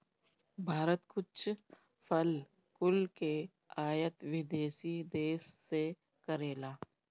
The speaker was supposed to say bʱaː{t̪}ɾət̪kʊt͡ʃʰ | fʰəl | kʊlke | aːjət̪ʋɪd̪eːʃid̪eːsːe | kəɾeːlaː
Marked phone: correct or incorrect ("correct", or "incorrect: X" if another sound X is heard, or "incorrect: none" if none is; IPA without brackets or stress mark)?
incorrect: none